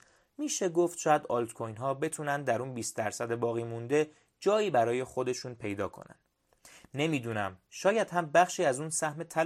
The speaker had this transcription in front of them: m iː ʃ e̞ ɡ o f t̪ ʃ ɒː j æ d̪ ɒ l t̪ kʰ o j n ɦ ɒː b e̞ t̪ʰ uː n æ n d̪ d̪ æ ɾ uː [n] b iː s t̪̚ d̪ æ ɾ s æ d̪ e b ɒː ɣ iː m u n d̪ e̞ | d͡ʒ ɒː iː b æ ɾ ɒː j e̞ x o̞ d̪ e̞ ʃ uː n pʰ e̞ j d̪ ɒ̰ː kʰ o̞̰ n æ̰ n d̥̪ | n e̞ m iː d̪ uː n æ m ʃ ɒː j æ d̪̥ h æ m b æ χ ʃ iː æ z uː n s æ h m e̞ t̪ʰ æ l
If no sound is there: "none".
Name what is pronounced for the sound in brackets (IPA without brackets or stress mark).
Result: n